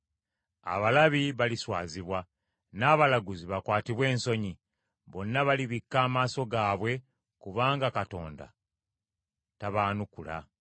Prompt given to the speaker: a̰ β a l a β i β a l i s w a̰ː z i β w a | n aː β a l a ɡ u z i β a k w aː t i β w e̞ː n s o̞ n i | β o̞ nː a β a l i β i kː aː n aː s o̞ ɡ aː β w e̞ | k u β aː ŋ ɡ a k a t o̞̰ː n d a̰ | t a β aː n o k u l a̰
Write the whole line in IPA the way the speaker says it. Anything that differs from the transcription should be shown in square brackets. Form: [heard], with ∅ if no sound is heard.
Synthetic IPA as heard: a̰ β a l a β i β a l i s w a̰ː z i β w a | n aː β a l a ɡ u z i β a k w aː t i β w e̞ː n s o̞ [ɲ] i | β o̞ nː a β a l i β i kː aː [m] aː s o̞ ɡ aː β w e̞ | k u β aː ŋ ɡ a k a t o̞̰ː n d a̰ | t a β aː n [u] k u l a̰